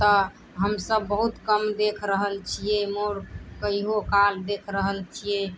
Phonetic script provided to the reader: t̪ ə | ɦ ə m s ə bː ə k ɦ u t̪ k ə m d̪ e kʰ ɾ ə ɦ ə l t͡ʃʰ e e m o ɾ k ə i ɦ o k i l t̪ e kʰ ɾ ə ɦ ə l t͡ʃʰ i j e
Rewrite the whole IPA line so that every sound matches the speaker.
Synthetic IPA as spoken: t̪ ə | ɦ ə m s ə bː ə ɦ u t̪ k ə m d̪ e kʰ ɾ ə ɦ ə l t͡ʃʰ i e m o ɾ k ə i ɦ o k a l d̪ e kʰ ɾ ə ɦ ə l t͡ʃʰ i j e

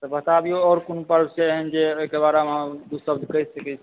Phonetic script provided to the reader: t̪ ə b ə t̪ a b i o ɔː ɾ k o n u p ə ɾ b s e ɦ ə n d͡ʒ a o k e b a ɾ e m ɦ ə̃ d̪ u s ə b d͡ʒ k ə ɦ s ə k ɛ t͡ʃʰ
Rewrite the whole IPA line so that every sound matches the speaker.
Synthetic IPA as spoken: t̪ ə b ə t̪ a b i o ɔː ɾ k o n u p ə ɾ b s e ɦ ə n d͡ʒ e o k e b a ɾ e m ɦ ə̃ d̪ u s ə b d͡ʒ k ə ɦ s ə k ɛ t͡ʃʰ

